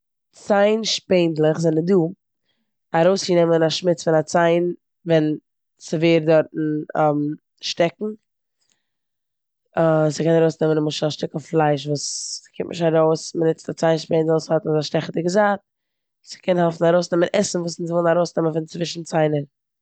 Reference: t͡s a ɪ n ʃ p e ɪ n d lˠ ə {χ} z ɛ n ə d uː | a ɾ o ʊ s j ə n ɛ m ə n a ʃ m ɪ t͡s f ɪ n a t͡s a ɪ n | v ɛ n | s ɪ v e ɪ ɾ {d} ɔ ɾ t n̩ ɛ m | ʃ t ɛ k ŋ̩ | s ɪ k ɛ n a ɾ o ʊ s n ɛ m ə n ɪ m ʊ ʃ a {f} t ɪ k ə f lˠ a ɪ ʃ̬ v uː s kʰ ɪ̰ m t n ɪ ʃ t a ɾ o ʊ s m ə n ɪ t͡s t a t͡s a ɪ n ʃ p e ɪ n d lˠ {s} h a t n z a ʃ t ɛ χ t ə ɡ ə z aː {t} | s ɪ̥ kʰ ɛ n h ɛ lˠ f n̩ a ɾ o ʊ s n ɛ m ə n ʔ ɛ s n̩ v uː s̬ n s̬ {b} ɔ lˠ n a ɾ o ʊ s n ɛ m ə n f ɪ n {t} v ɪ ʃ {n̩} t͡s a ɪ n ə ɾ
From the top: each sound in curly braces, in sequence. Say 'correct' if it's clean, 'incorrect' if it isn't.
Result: correct, correct, incorrect: ʃ, correct, correct, incorrect: v, incorrect: t͡s, correct

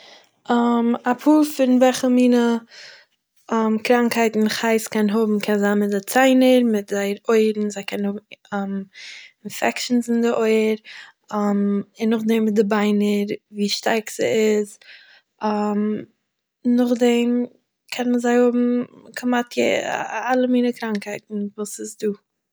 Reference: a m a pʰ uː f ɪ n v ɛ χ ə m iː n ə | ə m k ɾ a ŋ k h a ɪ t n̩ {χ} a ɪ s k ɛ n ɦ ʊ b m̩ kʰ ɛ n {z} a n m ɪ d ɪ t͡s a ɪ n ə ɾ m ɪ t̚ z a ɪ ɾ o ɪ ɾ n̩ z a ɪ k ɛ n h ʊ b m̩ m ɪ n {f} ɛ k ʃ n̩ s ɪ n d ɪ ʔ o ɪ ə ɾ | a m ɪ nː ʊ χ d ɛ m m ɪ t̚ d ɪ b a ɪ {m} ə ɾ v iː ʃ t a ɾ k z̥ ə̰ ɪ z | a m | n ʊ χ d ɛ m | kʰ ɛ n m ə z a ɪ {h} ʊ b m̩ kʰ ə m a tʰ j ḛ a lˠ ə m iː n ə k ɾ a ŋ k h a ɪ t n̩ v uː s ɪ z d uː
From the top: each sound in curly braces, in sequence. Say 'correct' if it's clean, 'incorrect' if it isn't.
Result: correct, correct, correct, incorrect: n, correct

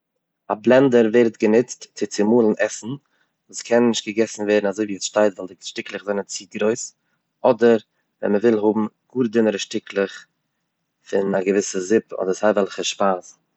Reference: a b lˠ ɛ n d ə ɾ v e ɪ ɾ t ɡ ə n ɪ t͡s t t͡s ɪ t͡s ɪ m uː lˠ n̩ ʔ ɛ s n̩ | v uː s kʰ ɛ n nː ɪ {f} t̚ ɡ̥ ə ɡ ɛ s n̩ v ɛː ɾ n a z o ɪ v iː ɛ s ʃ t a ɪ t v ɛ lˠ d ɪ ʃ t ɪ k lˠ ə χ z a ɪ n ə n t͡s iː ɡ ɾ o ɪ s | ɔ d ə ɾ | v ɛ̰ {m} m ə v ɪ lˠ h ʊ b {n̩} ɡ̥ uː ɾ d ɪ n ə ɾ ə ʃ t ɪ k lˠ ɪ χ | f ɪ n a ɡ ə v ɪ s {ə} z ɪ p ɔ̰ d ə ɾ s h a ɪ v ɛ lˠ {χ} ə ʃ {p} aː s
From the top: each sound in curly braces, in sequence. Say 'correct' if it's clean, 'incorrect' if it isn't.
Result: incorrect: ʃ, incorrect: n, incorrect: m̩, correct, correct, correct

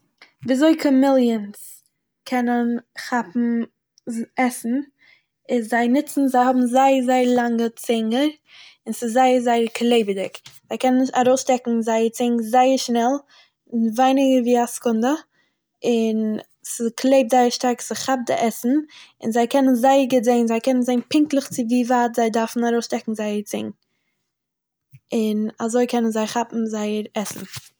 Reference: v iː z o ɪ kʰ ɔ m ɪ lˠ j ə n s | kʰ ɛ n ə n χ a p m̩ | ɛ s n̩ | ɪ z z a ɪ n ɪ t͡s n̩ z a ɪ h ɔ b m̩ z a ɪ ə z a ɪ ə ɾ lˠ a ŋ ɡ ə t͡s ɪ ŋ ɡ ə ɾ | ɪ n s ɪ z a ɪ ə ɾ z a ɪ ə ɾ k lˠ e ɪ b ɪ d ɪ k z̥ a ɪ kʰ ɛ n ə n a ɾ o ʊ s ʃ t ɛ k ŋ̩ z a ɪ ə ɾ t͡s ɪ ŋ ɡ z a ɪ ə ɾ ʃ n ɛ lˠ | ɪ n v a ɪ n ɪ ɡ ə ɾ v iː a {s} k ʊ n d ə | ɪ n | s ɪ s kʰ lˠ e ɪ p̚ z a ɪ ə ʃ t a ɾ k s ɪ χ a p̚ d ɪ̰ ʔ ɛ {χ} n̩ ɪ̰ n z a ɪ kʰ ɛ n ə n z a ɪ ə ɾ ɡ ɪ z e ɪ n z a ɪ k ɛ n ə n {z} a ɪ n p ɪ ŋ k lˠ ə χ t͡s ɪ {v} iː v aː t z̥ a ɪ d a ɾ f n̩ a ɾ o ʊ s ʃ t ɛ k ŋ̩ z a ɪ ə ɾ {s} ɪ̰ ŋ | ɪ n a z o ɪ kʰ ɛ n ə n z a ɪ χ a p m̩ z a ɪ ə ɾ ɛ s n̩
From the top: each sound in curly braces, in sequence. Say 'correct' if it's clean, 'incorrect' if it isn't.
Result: correct, incorrect: s, correct, correct, incorrect: t͡s

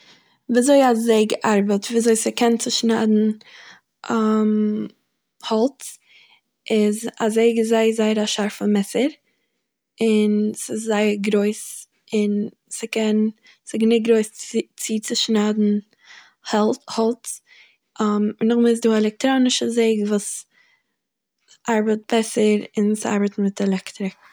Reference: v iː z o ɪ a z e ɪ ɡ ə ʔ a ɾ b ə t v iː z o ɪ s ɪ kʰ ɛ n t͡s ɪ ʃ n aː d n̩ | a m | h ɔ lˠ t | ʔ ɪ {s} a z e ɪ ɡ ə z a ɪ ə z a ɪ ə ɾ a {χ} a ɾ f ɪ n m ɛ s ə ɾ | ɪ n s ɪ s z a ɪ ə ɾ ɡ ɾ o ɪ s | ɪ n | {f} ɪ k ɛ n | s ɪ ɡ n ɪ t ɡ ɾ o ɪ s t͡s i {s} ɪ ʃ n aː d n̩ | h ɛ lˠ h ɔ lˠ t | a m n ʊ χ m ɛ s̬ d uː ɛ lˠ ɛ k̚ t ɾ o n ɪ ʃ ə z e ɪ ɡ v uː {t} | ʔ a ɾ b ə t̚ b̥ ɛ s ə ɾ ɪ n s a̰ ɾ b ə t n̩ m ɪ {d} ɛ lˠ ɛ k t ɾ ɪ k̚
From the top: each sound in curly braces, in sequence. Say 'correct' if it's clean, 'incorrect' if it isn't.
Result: incorrect: z, incorrect: ʃ, incorrect: s, incorrect: t͡s, incorrect: s, incorrect: t

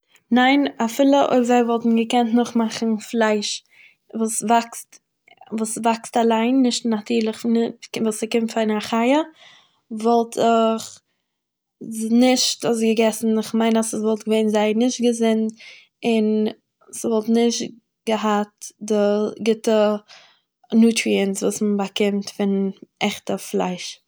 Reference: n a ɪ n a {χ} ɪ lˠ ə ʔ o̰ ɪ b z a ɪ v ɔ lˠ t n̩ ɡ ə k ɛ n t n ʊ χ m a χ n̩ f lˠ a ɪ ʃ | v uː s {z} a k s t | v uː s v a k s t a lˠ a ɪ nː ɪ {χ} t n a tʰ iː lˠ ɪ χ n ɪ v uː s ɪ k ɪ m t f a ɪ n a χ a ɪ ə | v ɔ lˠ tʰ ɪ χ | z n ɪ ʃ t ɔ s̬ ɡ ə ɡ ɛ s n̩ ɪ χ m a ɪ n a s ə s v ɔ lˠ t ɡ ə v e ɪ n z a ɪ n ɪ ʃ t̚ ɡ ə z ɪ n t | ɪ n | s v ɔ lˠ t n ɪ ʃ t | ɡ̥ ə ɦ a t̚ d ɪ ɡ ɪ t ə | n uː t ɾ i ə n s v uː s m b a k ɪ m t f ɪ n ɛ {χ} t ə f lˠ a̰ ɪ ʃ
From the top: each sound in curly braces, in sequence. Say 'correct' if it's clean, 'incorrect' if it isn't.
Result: incorrect: f, incorrect: v, incorrect: ʃ, correct

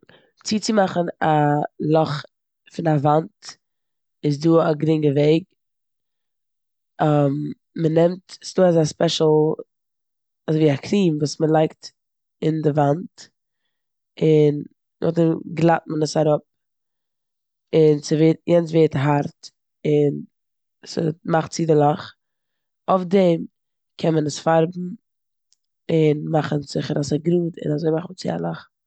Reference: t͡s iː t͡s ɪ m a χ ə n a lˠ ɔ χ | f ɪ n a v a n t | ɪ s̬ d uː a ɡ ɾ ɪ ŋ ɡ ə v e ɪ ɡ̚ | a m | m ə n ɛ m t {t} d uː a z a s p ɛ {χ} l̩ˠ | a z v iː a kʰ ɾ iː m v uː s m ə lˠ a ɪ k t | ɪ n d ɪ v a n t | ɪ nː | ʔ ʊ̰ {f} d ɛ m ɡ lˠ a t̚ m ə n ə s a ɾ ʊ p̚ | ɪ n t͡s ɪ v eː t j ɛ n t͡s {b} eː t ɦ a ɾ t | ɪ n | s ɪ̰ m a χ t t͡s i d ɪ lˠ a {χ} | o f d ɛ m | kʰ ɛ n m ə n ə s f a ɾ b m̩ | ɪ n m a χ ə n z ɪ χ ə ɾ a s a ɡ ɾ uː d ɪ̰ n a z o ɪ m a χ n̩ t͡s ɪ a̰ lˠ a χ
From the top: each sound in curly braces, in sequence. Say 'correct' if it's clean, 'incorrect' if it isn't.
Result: incorrect: s, incorrect: ʃ, incorrect: χ, incorrect: v, correct

